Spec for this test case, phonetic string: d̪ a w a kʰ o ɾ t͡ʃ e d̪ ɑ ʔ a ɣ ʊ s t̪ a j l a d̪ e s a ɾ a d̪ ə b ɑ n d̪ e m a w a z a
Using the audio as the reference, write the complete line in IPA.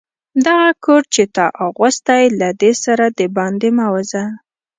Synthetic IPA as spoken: d̪ a ɣ a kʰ o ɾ t͡ʃ e t̪ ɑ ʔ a ɣ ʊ s t̪ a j l a d̪ e s a ɾ a d̪ ə b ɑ n d̪ e m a w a z a